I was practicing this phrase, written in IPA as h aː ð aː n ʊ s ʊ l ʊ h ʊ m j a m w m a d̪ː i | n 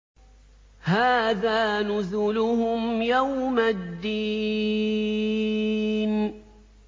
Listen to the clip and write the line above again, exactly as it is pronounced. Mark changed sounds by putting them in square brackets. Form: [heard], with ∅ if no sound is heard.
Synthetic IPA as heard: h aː ð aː n ʊ [z] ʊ l ʊ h ʊ m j a [∅] w m a d̪ː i | n